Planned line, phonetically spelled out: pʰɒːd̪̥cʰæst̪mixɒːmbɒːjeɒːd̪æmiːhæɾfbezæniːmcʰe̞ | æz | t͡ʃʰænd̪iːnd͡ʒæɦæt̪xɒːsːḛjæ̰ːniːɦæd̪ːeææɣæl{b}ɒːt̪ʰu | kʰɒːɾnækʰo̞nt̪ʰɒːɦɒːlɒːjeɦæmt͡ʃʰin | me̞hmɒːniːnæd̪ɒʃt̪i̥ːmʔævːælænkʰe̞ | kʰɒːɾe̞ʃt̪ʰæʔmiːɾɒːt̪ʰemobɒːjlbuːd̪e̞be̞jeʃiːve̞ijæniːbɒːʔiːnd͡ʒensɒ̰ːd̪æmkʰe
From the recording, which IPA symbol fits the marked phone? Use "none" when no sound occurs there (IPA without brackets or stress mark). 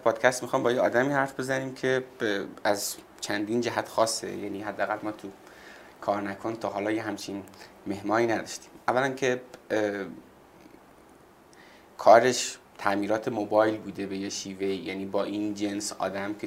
m